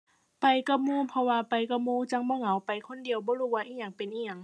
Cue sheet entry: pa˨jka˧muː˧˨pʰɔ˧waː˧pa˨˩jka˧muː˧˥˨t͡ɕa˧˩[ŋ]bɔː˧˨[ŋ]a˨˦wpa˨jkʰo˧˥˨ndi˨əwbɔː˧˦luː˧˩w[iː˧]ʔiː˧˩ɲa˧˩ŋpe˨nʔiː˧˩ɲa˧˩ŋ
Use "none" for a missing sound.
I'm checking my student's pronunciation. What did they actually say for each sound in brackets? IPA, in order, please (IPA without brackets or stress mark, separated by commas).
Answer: ŋ, ŋ, aː˧